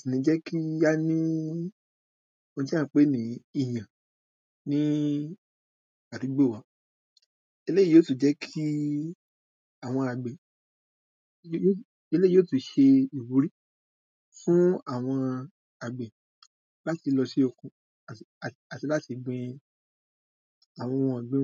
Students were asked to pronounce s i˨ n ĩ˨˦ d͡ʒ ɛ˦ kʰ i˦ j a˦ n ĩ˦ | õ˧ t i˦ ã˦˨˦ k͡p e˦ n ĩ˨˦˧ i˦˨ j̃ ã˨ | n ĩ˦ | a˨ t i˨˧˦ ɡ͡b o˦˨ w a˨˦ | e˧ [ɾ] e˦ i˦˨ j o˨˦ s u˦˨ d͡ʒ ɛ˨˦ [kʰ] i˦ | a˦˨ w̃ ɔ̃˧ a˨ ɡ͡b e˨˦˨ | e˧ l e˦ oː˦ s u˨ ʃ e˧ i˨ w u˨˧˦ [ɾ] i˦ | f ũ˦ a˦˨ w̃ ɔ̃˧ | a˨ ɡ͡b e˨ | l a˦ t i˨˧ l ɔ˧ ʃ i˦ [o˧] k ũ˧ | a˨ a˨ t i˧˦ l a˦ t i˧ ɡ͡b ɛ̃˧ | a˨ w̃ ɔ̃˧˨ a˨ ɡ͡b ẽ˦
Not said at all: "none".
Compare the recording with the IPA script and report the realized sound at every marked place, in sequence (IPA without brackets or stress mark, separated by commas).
l, kʰ, ɾ, o˧